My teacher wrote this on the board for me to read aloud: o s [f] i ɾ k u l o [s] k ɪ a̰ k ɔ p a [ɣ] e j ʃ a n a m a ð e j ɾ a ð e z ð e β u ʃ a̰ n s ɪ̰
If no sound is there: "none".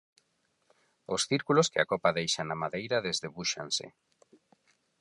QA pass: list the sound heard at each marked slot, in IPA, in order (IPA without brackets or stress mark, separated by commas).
θ, s, ð